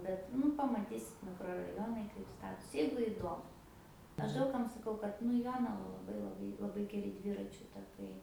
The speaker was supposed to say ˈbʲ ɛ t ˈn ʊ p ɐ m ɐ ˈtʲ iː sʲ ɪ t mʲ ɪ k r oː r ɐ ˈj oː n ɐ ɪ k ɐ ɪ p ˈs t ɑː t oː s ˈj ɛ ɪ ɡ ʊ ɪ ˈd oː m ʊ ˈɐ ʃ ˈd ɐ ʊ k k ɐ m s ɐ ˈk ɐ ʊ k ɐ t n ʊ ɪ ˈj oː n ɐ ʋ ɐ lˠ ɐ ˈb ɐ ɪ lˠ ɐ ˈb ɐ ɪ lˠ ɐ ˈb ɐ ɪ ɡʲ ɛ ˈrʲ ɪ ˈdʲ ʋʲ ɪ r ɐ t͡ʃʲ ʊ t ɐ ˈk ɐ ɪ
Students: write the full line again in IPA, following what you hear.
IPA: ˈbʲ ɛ t ˈn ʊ p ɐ m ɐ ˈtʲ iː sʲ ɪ t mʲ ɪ k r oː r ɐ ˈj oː n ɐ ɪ k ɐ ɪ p ˈs t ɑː t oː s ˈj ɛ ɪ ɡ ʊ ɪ ˈd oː m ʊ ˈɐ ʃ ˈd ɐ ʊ k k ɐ m s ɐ ˈk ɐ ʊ k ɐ t n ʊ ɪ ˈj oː n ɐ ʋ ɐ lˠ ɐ ˈb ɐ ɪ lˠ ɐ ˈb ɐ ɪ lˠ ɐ ˈb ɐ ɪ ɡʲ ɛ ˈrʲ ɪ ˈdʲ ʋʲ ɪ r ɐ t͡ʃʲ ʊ t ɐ ˈk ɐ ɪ

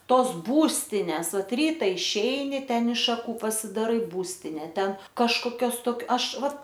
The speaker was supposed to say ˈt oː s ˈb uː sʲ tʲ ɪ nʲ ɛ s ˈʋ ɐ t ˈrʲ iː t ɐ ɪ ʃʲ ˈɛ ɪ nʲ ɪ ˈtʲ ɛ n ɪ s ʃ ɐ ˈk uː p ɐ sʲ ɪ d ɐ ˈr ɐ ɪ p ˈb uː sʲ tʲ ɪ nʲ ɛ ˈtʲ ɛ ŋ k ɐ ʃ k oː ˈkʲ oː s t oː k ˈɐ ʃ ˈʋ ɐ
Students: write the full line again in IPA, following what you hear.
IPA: ˈt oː s ˈb uː sʲ tʲ ɪ nʲ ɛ s ˈʋ ɐ t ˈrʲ iː t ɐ ɪ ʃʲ ˈɛ ɪ nʲ ɪ ˈtʲ ɛ n ɪ ʃ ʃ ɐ ˈk uː p ɐ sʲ ɪ d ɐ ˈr ɐ ɪ ˈb uː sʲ tʲ ɪ nʲ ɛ ˈtʲ ɛ n k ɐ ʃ k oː ˈkʲ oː s t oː k ˈɐ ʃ ˈʋ ɐ

